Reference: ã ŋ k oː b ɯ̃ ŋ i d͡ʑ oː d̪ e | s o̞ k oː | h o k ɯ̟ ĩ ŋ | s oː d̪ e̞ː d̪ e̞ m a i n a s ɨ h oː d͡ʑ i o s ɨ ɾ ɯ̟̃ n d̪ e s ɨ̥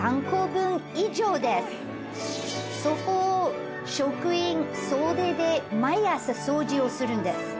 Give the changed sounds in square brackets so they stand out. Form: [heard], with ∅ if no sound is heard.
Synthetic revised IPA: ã ŋ k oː b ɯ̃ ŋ i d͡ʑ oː d̪ e | s o̞ k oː | [ɕ] o k ɯ̟ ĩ ŋ | s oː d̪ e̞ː d̪ e̞ m a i [∅] a s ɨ [s] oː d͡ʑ i o s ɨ ɾ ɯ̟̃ n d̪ e s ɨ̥